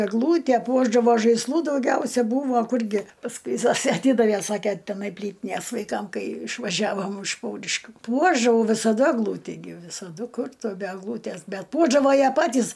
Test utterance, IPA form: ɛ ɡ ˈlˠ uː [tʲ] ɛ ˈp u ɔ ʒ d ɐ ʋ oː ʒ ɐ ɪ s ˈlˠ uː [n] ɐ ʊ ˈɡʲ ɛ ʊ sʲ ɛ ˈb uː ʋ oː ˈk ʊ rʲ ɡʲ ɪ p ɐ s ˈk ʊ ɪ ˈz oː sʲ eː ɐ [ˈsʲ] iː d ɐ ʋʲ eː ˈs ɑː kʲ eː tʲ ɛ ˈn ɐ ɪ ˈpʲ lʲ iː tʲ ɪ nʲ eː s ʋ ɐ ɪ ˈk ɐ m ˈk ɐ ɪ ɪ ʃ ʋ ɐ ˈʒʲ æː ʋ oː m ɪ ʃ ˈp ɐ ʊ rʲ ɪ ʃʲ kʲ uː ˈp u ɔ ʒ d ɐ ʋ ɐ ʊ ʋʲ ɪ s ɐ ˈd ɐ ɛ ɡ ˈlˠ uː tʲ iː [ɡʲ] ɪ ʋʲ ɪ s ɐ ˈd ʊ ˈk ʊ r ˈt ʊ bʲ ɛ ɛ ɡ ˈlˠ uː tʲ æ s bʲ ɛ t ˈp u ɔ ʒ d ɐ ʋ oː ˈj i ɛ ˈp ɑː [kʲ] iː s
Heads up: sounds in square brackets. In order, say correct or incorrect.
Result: correct, incorrect: d, incorrect: tʲ, correct, incorrect: tʲ

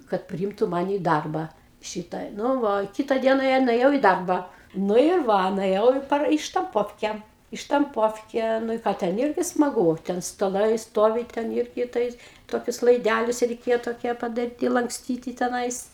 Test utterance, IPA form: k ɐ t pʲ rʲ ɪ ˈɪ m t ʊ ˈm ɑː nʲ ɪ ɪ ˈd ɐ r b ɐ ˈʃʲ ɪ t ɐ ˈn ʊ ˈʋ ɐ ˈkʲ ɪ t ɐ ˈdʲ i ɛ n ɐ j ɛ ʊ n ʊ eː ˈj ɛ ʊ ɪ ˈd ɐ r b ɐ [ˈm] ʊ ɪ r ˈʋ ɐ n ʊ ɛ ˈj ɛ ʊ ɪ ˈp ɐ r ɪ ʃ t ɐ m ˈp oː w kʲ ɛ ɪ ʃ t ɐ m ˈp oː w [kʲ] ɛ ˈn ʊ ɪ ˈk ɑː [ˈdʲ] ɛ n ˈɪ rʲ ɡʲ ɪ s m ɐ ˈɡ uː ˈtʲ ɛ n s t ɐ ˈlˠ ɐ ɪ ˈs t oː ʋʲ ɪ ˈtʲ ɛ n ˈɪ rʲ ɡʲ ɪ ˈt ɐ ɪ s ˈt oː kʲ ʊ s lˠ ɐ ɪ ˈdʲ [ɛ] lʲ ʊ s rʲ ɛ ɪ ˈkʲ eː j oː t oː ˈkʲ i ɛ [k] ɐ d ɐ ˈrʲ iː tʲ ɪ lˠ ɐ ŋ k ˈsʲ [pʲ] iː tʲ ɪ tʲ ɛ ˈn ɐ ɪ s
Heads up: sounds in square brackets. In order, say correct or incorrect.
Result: incorrect: n, correct, incorrect: tʲ, incorrect: æ, incorrect: p, incorrect: tʲ

